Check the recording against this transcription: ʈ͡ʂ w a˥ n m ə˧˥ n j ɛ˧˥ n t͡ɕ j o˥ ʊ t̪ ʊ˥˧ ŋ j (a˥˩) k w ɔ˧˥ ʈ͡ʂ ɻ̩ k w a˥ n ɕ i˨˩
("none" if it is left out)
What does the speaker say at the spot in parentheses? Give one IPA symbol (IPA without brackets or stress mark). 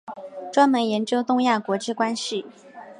a˥˩